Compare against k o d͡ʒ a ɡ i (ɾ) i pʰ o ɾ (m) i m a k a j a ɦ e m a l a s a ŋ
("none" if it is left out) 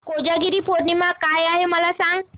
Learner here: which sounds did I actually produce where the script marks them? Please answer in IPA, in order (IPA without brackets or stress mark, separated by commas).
ɾ, n